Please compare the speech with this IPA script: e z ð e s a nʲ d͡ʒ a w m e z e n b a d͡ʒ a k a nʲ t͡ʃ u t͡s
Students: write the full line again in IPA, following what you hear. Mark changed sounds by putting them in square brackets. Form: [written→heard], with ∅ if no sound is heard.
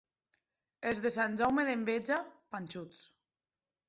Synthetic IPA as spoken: e z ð e s a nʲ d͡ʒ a w m e [z→ð] e [n→m] b [a→e] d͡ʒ a [k→p] a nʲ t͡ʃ u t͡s